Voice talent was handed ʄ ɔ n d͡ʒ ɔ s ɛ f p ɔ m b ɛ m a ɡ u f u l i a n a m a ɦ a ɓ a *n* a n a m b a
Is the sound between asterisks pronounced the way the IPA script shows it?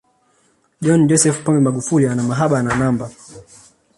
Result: yes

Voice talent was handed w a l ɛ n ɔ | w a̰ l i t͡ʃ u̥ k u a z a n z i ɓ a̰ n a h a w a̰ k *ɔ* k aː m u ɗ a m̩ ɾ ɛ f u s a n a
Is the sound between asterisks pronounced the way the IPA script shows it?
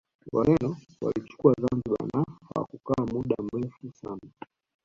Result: no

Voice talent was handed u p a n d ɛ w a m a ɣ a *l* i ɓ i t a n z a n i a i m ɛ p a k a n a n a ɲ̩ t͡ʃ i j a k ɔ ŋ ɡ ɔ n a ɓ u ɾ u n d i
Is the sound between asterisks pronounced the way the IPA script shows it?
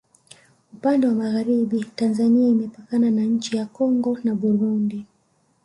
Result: no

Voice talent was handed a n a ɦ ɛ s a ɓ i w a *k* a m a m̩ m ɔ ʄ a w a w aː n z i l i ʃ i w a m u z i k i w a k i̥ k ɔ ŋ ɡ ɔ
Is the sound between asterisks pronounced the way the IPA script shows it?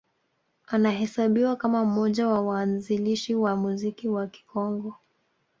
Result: yes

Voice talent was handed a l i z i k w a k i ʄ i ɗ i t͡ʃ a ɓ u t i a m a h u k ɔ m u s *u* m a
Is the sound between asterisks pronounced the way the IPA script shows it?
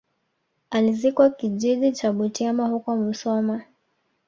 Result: no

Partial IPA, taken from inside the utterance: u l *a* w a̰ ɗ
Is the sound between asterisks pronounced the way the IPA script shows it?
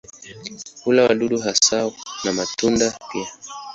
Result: yes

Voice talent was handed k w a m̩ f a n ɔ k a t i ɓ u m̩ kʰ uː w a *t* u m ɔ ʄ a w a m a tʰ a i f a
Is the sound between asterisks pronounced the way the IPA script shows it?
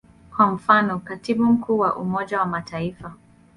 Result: no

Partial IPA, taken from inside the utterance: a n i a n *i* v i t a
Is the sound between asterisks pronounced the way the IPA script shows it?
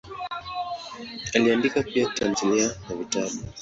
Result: no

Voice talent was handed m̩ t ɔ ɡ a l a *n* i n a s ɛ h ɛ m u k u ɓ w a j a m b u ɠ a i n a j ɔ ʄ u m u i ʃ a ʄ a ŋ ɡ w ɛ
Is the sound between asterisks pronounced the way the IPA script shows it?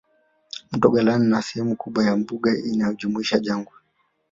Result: yes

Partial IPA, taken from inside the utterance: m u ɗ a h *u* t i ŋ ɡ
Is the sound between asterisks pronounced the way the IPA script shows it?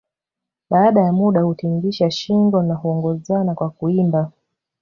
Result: yes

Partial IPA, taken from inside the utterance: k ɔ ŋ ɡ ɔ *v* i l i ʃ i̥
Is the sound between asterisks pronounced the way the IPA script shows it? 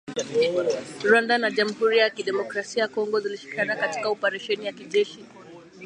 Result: no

